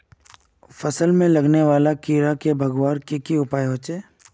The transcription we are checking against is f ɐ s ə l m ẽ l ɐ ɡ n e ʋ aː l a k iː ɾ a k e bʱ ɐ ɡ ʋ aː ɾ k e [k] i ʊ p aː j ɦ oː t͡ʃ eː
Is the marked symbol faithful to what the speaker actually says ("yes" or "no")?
yes